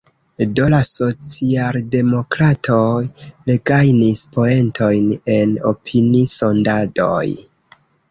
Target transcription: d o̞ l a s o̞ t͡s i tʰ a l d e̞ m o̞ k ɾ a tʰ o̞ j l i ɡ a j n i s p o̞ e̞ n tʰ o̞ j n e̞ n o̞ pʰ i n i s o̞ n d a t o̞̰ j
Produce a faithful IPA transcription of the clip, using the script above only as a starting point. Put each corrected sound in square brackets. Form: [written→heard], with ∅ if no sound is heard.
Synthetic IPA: d o̞ l a s o̞ t͡s i [tʰ→∅] a l d e̞ m o̞ k ɾ a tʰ o̞ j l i ɡ a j n i s p o̞ e̞ n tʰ o̞ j n e̞ n o̞ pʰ i n i s o̞ n d a [t→d] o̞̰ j